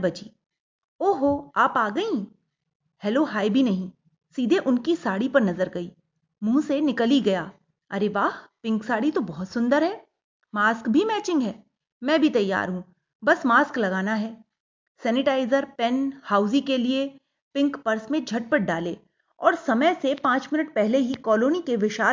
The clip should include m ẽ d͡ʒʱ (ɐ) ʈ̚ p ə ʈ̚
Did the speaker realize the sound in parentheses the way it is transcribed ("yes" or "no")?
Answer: yes